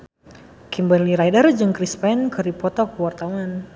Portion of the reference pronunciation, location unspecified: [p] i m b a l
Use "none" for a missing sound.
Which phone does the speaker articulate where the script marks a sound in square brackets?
k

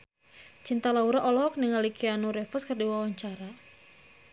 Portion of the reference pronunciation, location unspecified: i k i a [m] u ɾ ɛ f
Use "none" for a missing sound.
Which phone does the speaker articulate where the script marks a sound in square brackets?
n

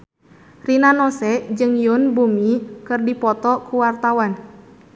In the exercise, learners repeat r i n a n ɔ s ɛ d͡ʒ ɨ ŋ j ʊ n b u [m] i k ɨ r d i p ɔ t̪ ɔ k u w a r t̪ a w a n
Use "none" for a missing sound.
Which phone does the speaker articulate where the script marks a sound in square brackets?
m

